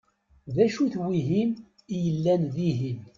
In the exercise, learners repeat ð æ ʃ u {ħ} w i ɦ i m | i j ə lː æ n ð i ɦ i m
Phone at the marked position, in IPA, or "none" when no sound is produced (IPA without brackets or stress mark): θ